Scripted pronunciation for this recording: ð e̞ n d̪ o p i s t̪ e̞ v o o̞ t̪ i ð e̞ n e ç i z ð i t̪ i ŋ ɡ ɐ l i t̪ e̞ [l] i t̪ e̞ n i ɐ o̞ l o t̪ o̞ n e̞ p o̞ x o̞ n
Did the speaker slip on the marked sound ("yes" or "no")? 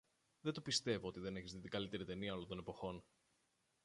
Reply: yes